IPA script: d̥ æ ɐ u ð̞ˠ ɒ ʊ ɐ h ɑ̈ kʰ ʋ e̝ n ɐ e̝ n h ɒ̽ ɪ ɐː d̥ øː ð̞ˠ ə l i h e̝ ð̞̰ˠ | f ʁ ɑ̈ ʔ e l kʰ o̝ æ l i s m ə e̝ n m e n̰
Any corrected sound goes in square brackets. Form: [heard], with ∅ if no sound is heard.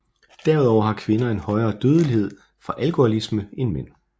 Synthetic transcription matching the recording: d̥ æ ɐ u ð̞ˠ ɒ ʊ ɐ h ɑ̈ kʰ ʋ e̝ n ɐ e̝ n h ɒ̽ ɪ ɐː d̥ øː ð̞ˠ ə l i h e̝ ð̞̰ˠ | f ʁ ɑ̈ ʔ [æ] l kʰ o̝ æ l i s m ə e̝ n m e n̰